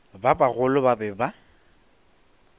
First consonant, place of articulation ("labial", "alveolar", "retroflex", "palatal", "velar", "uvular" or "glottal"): labial